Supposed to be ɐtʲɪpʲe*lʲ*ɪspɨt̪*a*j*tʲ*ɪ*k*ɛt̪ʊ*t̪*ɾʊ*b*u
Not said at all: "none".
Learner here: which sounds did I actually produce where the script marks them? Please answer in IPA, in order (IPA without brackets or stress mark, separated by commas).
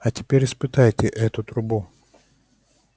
ɾʲ, a, tʲ, ʔ, t̪, b